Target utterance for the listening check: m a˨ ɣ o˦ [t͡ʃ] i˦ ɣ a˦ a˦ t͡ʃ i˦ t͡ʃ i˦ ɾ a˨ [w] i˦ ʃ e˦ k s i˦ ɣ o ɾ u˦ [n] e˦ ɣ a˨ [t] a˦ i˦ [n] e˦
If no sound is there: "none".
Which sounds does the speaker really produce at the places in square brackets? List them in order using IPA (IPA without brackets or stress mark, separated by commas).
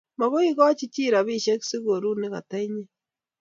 none, β, n, t, ɲ